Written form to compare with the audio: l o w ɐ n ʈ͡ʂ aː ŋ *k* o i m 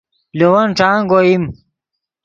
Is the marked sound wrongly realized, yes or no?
yes